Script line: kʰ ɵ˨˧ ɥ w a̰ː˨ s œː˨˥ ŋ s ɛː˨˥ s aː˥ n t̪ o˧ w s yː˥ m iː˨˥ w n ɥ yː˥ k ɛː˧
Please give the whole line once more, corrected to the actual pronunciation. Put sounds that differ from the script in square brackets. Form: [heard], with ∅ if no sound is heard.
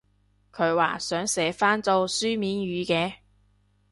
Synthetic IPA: kʰ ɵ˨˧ ɥ w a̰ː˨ s œː˨˥ ŋ s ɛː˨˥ [f] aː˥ n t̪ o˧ w s yː˥ m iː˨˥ [∅] n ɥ [yː˨˧] k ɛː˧